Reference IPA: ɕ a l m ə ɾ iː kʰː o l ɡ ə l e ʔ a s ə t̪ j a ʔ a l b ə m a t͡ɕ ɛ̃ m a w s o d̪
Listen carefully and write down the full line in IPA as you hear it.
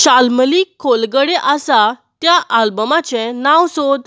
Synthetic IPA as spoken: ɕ a l m ə l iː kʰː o l ɡ ə ɽ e ʔ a s a t̪ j a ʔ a l b ə m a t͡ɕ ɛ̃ n a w s o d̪